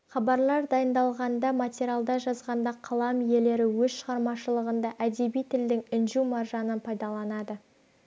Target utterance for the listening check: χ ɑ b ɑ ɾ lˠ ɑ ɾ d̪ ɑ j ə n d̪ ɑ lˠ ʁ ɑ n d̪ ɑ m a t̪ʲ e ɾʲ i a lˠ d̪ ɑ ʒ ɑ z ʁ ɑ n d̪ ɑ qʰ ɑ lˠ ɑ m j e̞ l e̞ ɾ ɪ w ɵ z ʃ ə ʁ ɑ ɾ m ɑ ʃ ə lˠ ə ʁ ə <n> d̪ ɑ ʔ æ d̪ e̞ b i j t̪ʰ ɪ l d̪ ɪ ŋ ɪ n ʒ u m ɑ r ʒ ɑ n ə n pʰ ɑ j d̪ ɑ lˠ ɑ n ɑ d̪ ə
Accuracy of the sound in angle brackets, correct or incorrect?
correct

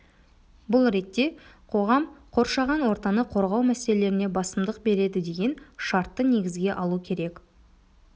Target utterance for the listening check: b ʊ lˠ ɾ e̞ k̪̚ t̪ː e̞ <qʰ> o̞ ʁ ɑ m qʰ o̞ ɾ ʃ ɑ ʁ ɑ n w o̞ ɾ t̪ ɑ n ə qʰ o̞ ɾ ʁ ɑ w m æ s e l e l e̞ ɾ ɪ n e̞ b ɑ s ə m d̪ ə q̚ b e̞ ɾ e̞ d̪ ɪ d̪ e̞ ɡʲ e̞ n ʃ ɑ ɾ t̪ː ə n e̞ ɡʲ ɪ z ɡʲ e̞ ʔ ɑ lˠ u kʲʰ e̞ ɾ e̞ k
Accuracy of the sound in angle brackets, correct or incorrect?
correct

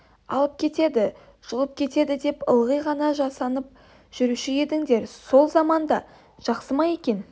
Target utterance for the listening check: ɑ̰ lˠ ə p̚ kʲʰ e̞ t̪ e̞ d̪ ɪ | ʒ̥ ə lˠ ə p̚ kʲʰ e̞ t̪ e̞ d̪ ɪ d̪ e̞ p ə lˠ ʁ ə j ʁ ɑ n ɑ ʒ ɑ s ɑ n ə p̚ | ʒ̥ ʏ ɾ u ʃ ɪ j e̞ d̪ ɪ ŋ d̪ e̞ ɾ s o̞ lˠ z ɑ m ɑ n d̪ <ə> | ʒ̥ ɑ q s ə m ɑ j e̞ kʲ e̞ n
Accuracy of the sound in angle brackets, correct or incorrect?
incorrect: ɑ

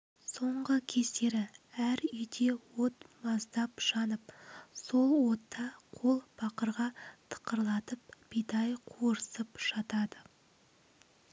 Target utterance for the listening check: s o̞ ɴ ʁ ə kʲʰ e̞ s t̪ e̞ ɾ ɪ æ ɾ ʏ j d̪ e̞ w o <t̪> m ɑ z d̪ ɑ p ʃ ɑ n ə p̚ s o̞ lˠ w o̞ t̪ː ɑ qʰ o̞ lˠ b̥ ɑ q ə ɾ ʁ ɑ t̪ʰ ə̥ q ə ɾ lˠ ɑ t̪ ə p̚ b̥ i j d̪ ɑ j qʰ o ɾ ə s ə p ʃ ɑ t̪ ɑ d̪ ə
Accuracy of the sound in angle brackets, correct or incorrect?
correct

